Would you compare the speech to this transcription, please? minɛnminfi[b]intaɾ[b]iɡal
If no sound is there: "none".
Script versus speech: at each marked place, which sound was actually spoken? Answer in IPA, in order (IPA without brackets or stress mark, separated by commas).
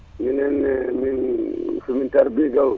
m, b